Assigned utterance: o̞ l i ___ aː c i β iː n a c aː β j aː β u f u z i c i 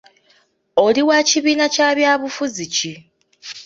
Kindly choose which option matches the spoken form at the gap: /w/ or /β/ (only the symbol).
w